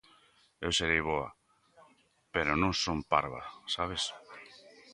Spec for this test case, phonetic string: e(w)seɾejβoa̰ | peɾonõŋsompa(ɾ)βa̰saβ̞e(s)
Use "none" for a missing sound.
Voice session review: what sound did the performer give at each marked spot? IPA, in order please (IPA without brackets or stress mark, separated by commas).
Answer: w, ɾ, s